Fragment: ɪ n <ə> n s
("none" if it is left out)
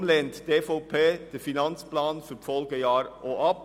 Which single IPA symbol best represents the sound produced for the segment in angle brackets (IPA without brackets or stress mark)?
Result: ɑ